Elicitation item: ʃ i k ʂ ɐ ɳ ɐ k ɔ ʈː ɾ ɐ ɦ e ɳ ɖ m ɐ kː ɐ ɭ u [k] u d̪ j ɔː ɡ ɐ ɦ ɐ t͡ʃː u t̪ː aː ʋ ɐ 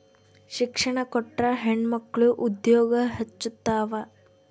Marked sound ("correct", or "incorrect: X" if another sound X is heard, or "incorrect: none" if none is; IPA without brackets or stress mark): incorrect: ʔ